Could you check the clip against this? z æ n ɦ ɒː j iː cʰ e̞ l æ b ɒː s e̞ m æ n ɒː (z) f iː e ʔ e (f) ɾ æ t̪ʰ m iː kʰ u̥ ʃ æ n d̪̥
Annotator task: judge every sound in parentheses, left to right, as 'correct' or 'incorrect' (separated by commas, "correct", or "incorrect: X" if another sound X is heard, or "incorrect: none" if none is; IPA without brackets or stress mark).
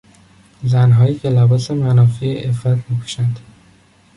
incorrect: none, correct